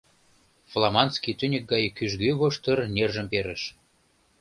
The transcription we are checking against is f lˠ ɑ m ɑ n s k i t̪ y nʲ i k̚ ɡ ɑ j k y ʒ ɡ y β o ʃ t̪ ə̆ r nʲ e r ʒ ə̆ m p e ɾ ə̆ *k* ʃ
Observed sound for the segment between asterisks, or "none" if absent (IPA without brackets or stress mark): none